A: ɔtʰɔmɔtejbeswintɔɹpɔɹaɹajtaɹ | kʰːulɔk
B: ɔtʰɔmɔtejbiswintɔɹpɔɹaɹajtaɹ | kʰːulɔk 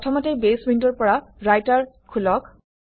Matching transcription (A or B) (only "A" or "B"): A